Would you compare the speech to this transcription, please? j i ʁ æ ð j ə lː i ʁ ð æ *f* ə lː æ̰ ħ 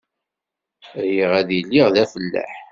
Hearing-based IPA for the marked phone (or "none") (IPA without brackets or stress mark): f